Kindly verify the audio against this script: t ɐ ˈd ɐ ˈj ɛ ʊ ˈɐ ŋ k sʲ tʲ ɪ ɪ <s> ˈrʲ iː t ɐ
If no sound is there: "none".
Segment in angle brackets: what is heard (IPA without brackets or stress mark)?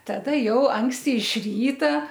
ʃ